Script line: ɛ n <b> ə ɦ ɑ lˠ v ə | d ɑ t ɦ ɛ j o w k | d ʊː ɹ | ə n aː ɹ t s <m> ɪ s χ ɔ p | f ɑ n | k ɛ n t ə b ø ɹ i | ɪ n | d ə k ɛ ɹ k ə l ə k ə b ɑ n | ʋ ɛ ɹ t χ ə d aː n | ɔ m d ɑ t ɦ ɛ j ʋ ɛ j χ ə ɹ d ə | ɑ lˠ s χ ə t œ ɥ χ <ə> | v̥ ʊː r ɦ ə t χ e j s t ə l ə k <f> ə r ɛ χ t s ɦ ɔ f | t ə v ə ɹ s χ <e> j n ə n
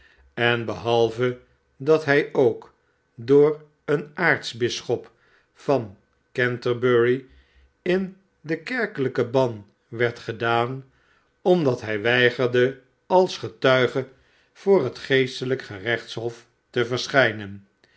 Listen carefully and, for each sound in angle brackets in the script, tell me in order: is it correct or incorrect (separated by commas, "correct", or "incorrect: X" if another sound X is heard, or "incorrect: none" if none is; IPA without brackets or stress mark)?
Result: correct, incorrect: b, correct, incorrect: χ, incorrect: ɛ